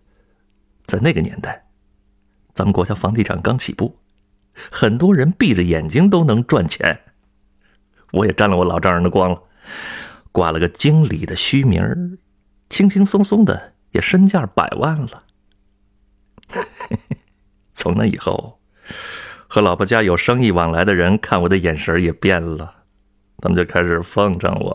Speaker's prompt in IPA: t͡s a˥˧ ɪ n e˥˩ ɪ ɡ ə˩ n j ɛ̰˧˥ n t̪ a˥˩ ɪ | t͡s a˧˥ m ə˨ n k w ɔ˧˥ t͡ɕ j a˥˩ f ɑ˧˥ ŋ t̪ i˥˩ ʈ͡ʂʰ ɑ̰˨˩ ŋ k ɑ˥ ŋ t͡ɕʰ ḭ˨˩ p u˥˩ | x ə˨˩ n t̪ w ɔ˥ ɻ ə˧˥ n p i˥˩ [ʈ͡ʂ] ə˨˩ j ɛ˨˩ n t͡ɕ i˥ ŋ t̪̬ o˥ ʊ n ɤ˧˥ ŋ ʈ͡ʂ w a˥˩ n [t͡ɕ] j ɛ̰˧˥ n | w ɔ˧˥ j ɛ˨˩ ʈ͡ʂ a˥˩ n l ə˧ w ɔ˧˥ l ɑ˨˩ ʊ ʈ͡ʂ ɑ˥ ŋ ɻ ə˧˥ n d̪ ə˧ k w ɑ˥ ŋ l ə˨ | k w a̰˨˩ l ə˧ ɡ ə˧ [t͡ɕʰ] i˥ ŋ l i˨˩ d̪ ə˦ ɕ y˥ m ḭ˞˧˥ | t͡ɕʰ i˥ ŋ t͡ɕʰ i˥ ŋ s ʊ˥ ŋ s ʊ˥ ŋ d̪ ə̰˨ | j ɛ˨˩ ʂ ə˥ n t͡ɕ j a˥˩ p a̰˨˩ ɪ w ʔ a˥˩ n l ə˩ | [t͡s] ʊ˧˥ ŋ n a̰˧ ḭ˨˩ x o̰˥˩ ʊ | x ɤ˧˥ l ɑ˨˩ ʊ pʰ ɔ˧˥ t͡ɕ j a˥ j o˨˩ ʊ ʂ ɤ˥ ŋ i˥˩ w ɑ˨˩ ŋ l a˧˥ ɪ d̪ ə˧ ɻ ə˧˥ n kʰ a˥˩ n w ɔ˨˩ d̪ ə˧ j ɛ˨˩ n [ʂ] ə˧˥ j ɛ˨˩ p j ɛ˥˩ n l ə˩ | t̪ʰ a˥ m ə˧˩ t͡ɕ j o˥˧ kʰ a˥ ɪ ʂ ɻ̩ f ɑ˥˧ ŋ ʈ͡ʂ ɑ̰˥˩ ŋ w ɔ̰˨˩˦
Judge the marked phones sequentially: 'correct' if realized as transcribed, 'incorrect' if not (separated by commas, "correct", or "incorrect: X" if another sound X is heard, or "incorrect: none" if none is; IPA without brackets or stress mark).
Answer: correct, incorrect: t͡ɕʰ, incorrect: t͡ɕ, incorrect: t͡sʰ, correct